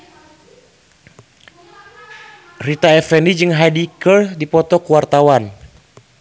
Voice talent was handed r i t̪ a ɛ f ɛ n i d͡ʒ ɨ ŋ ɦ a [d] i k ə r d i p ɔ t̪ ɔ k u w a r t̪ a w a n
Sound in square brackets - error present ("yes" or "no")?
no